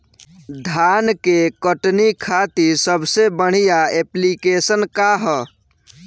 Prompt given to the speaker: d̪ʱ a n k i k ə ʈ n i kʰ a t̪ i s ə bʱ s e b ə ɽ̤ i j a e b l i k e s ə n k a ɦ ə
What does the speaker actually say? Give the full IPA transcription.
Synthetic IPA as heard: d̪ʱ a n k e k ə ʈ n i kʰ a t̪ i s ə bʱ s e b ə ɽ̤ i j a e p l i k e s ə n k a ɦ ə